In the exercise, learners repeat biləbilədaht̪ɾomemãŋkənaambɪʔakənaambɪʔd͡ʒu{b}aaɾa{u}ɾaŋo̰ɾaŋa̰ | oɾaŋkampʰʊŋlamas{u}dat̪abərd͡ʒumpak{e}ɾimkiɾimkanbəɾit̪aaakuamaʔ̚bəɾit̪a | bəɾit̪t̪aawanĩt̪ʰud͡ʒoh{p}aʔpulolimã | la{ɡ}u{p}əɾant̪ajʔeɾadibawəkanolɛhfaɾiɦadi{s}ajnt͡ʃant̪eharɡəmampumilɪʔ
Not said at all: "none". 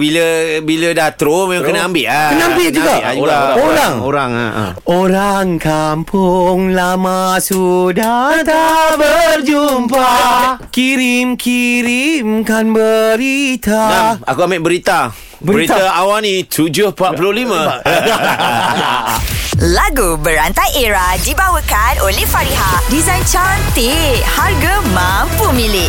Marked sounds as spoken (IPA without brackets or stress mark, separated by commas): ɡ, o, u, i, p, ɡ, b, z